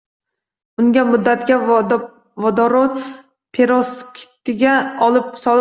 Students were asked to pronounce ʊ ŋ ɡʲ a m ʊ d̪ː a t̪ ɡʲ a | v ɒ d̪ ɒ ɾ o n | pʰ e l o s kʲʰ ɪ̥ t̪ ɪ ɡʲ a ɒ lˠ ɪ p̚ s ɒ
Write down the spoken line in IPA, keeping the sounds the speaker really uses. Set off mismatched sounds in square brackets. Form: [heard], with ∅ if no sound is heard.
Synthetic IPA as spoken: ʊ ŋ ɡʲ a m ʊ d̪ː a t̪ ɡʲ a | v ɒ d̪ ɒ ɾ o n | pʰ e [ɾ] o s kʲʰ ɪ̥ t̪ ɪ ɡʲ a ɒ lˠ ɪ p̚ s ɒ